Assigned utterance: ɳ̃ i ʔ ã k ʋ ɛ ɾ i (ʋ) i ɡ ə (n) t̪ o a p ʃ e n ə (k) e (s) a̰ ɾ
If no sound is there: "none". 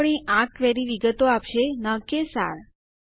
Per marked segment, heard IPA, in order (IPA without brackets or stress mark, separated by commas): ʋ, none, k, s